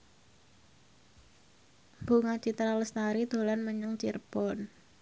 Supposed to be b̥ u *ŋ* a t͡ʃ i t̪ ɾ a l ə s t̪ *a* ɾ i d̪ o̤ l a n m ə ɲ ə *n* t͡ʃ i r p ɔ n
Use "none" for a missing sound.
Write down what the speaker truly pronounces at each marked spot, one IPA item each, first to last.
ŋ, a, ŋ

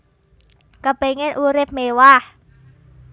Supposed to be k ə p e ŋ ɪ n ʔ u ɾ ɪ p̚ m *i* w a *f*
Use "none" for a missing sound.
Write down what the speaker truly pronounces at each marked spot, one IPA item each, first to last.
e, h

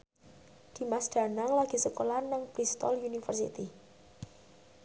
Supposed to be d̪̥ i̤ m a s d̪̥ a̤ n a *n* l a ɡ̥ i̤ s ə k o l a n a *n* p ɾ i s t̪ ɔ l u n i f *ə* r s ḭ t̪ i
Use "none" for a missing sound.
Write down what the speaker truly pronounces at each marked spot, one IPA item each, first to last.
ŋ, ŋ, ə

